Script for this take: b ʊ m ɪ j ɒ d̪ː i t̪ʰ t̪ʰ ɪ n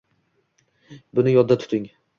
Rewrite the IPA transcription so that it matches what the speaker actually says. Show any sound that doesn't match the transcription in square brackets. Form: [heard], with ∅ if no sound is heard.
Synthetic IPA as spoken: b ʊ [n] ɪ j ɒ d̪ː [a] t̪ʰ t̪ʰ ɪ [ŋ]